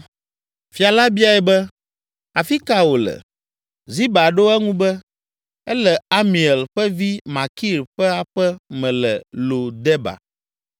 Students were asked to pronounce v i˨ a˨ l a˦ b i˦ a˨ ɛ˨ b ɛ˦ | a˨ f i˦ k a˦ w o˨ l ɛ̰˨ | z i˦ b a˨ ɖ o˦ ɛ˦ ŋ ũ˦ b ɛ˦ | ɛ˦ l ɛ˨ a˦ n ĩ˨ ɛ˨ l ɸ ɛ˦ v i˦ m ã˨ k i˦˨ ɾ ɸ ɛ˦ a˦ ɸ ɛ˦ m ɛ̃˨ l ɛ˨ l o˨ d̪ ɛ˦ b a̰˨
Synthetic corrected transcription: f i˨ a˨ l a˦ b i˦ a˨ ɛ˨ b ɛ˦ | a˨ f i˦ k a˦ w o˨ l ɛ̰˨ | z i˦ b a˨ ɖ o˦ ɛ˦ ŋ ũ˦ b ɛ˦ | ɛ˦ l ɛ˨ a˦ m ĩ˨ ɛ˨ l ɸ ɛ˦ v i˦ m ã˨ k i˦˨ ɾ ɸ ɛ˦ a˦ ɸ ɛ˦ m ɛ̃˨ l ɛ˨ l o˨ d̪ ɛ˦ b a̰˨